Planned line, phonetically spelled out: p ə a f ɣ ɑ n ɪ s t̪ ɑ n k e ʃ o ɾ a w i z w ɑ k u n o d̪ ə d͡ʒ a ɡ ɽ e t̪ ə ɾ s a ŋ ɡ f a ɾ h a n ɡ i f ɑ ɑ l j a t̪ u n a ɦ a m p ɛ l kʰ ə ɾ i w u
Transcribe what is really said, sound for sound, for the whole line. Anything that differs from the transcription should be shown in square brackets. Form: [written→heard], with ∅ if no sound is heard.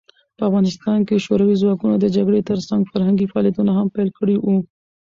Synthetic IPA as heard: p ə a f ɣ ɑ n ɪ s t̪ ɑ n k e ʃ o ɾ a w i z w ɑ k u n o d̪ ə d͡ʒ a ɡ ɽ e t̪ ə ɾ s a ŋ ɡ f a ɾ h a [n→ŋ] ɡ i f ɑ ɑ l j a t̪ u n a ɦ a m p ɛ l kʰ ə [ɾ→ɽ] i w u